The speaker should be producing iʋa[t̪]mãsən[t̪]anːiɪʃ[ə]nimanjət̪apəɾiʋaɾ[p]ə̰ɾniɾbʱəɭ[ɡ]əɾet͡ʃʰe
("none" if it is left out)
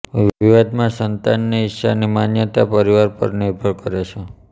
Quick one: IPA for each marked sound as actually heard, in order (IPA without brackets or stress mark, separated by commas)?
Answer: d̪, t̪, a, p, k